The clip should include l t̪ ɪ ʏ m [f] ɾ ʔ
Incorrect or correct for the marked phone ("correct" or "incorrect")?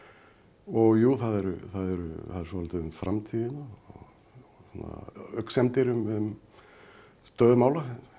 correct